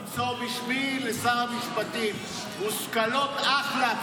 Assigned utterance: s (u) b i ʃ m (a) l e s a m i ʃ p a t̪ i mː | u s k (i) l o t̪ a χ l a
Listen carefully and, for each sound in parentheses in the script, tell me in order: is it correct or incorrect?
incorrect: o, incorrect: i, incorrect: a

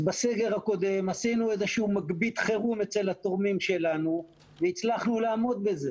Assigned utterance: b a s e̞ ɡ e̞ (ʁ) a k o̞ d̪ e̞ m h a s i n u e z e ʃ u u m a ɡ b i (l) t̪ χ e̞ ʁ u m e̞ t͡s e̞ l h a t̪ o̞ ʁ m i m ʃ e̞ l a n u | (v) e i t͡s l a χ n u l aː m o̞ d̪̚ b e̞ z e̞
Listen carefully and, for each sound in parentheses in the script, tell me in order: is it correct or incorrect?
correct, incorrect: none, correct

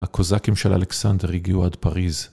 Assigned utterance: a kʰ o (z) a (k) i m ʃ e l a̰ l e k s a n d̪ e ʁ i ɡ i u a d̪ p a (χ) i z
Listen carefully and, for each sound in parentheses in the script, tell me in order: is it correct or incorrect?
correct, correct, incorrect: ʁ

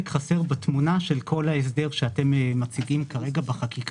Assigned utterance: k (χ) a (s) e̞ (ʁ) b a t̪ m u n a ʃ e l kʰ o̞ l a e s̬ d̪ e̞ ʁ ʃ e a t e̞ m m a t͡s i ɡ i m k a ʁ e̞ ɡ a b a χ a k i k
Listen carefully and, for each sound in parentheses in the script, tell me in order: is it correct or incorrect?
correct, correct, correct

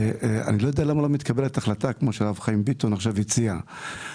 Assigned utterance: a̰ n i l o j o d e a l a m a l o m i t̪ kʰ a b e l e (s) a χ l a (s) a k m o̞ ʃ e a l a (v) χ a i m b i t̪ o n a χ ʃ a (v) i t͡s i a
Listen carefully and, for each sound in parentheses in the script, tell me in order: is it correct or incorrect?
incorrect: t, incorrect: t, correct, correct

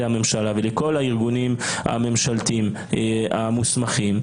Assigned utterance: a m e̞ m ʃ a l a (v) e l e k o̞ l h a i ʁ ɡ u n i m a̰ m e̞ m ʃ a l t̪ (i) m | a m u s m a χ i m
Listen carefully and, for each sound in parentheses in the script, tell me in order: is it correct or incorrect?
correct, correct

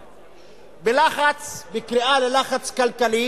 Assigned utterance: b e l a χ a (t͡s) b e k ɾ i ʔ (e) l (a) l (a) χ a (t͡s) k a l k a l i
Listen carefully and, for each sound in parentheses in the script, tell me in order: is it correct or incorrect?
correct, incorrect: a, incorrect: e, correct, correct

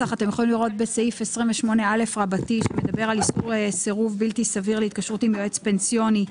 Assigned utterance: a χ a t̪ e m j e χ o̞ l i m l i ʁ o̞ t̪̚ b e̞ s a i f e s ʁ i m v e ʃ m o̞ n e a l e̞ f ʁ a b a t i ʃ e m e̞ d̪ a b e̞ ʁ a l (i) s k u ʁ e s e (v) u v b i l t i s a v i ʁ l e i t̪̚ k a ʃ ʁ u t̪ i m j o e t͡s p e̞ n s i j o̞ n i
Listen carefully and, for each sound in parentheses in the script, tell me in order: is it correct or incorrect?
correct, incorrect: ʁ

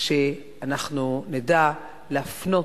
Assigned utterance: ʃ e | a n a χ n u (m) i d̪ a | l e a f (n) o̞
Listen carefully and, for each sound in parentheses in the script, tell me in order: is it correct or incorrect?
incorrect: n, correct

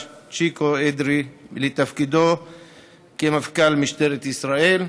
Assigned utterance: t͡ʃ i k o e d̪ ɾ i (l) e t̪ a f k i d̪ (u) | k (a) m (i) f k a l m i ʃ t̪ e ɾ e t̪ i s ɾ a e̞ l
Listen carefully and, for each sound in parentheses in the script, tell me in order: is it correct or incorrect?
correct, incorrect: o, incorrect: e, incorrect: a

